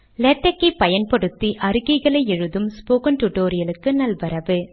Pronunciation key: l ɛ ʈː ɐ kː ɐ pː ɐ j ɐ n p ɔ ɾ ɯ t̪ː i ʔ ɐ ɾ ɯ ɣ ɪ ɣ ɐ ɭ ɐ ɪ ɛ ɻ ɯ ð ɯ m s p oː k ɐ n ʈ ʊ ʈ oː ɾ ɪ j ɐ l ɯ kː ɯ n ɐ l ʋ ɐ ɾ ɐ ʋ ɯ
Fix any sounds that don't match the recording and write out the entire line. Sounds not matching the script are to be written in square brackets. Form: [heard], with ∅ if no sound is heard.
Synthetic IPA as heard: l ɛ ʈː ɐ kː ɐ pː ɐ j ɐ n p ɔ [ɽ] ɯ t̪ː i ʔ ɐ ɾ ɯ ɣ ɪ ɣ ɐ ɭ ɐ ɪ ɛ ɻ ɯ ð ɯ m s p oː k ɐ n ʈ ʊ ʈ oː ɾ ɪ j ɐ l ɯ kː ɯ n ɐ l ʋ ɐ ɾ ɐ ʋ ɯ